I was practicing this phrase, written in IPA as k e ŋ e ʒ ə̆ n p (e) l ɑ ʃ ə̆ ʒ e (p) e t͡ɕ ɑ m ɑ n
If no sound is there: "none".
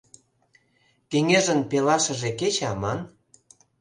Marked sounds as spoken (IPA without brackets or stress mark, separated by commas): e, k